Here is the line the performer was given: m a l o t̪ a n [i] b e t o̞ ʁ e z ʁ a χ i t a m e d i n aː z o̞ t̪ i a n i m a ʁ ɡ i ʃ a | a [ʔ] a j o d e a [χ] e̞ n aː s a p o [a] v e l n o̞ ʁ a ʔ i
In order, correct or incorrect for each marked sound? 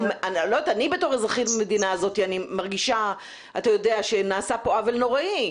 correct, incorrect: t, incorrect: ʃ, correct

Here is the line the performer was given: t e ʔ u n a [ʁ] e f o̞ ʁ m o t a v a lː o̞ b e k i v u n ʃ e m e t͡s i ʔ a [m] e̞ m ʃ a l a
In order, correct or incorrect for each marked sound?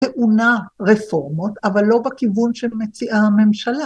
correct, correct

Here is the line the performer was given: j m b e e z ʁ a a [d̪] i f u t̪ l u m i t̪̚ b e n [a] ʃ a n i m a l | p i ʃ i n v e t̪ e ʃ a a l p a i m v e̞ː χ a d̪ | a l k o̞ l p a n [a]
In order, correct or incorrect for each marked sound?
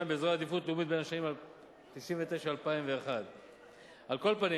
correct, correct, incorrect: i

